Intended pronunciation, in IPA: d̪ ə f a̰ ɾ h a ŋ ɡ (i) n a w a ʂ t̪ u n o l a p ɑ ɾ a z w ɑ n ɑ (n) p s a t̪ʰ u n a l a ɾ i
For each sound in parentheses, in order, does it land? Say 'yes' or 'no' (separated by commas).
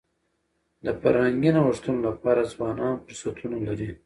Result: yes, yes